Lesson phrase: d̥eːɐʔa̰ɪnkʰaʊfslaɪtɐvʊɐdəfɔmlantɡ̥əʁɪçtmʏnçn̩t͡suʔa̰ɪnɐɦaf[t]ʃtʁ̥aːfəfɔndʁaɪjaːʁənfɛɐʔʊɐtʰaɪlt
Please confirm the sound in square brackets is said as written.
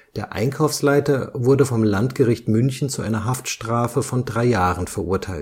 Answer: yes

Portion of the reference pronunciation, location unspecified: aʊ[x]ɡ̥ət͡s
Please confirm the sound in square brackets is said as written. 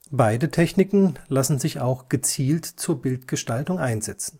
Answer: yes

